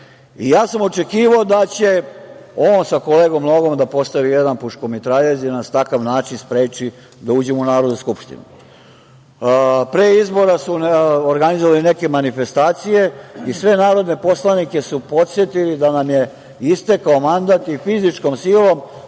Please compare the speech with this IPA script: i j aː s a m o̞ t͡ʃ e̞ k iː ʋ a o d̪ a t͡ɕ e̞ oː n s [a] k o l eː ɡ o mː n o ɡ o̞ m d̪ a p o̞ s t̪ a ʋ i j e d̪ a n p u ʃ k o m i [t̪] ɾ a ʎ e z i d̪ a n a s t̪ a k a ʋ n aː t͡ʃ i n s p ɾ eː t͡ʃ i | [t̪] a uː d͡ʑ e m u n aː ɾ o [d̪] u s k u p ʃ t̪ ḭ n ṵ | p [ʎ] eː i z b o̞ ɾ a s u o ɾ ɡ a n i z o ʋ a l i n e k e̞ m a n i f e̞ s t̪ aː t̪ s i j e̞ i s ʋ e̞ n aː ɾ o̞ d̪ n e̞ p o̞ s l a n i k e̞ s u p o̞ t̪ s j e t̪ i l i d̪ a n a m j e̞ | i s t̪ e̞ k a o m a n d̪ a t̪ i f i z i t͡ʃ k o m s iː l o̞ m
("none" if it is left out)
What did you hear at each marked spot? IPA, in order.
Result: a, t̪, d̪, d̪, ɾ

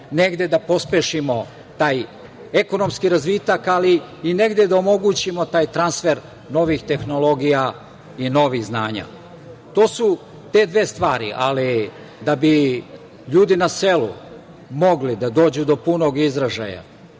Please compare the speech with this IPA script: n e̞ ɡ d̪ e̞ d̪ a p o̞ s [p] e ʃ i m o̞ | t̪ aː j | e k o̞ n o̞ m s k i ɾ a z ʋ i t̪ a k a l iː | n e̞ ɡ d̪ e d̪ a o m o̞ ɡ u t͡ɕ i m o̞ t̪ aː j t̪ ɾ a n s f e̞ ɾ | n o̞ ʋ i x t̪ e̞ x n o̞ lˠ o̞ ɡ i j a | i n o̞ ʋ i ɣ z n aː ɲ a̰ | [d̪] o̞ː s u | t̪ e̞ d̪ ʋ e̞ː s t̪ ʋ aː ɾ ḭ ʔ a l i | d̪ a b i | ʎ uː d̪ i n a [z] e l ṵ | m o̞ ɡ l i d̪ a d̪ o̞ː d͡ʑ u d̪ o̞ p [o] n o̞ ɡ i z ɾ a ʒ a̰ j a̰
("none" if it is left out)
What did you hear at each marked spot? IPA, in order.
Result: p, t̪, s, u

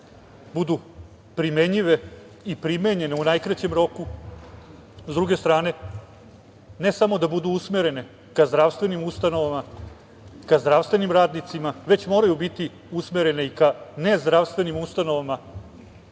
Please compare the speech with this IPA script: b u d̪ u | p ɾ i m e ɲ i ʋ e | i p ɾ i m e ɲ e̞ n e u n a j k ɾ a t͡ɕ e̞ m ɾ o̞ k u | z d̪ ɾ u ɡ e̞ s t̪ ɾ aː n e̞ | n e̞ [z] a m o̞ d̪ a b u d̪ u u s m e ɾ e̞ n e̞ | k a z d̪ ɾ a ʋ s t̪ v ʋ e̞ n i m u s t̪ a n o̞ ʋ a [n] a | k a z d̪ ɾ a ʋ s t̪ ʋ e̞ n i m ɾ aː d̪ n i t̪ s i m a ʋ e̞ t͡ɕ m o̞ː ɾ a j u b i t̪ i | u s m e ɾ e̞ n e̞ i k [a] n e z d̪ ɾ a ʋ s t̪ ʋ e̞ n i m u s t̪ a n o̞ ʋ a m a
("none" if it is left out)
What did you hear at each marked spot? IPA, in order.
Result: s, m, a

